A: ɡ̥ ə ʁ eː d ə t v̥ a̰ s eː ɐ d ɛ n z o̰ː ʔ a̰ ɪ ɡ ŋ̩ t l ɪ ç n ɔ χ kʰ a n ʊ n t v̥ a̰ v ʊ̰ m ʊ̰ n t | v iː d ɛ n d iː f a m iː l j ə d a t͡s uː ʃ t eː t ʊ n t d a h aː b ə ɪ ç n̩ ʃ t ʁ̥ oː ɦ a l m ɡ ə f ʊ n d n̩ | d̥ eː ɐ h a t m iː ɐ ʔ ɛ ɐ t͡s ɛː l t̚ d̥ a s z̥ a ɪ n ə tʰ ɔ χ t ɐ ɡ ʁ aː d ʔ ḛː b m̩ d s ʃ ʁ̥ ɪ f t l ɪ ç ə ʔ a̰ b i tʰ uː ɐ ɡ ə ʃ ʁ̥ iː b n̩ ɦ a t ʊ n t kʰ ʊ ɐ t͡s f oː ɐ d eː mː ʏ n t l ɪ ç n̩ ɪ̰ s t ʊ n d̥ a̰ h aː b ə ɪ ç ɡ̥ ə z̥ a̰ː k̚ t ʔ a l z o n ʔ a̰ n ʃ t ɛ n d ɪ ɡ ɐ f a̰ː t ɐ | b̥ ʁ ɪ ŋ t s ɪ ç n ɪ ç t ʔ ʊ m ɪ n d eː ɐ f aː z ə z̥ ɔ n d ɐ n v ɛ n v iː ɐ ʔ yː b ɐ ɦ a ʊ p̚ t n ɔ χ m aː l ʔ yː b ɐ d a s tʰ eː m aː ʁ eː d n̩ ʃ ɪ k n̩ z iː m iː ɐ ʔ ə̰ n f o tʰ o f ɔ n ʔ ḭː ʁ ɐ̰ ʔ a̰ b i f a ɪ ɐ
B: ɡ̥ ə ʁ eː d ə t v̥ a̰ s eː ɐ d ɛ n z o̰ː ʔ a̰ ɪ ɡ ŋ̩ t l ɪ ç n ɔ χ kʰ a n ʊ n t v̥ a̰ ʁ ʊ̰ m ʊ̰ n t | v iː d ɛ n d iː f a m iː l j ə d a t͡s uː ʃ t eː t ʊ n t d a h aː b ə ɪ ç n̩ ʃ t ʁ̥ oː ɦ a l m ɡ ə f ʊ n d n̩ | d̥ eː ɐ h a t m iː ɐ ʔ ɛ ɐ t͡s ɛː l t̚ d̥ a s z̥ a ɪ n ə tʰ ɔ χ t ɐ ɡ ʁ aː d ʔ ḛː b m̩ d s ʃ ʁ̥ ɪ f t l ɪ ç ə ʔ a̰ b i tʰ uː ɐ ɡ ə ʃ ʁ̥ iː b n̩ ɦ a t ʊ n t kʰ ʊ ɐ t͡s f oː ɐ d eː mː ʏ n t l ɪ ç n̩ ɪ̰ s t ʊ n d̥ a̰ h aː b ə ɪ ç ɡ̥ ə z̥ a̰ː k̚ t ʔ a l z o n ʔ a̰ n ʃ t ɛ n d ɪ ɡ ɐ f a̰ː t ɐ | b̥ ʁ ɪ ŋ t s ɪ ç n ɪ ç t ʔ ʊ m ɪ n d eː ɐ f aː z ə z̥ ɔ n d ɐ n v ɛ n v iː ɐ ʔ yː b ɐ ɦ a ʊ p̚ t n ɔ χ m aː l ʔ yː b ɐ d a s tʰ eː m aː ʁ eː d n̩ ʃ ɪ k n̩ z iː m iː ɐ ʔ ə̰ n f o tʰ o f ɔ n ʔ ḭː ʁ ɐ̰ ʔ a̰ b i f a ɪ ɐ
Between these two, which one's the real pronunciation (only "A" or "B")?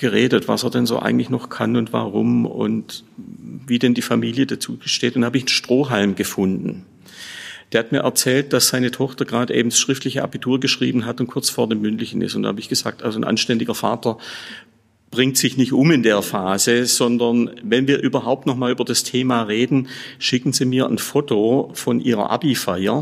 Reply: B